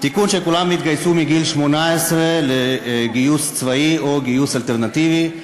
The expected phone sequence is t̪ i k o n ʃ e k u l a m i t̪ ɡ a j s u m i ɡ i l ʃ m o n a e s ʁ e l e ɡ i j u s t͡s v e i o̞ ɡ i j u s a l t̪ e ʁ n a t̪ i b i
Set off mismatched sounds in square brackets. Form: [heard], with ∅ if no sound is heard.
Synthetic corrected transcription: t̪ i k [u] n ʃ e k u l a m i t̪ ɡ a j s u m i ɡ i l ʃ m o n a e s ʁ e l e ɡ i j u s t͡s v [a] i o̞ ɡ i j u s a l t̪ e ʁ n a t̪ i [v] i